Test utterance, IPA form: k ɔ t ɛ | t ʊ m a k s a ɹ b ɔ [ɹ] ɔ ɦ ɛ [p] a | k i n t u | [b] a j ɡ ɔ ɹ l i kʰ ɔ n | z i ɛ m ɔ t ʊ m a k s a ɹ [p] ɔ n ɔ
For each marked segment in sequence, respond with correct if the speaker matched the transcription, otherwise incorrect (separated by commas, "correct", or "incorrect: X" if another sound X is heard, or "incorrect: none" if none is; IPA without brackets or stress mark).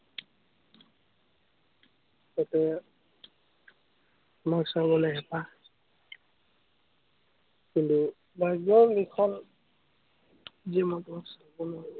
incorrect: l, correct, correct, incorrect: b